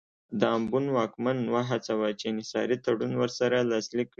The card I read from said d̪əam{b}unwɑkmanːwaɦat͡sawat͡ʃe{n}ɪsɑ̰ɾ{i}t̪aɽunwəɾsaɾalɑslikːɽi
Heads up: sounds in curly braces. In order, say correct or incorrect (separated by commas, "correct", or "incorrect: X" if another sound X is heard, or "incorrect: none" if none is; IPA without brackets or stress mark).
correct, correct, correct